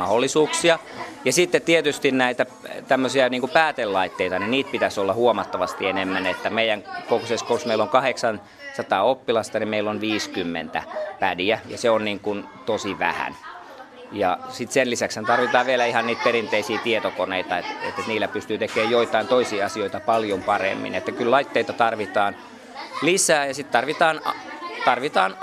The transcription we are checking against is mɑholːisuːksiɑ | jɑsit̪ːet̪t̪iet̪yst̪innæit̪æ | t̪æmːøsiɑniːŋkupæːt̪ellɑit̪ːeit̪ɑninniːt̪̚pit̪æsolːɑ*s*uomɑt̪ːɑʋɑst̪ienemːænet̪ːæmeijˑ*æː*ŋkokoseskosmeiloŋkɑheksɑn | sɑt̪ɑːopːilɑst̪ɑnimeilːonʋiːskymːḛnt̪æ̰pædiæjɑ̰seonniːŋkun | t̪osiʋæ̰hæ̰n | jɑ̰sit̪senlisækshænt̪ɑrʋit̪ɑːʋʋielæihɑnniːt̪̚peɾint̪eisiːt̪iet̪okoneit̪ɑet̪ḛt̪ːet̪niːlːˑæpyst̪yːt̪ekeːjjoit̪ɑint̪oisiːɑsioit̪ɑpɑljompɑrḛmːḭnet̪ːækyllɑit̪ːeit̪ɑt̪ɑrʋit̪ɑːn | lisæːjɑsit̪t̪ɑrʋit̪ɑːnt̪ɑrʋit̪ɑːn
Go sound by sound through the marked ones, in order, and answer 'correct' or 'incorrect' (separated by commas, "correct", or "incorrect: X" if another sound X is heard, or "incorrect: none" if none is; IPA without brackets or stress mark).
incorrect: h, incorrect: æ